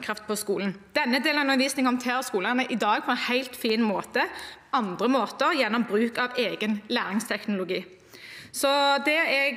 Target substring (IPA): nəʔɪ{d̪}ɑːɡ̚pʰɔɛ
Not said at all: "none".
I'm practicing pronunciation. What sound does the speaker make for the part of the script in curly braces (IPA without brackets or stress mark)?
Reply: d̪